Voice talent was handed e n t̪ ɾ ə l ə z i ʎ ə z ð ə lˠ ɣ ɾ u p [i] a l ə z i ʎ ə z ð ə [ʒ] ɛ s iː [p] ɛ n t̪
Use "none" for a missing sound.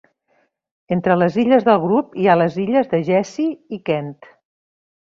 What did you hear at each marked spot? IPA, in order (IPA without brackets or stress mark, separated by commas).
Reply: i, ʒ, k